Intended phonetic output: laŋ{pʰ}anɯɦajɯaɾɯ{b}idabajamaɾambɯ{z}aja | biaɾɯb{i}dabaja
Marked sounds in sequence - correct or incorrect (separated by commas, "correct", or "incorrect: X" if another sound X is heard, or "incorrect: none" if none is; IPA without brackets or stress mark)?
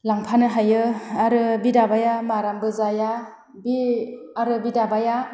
correct, correct, correct, correct